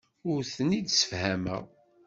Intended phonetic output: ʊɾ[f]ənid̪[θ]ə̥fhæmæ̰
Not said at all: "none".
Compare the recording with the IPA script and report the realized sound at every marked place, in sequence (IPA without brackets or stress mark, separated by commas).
θ, s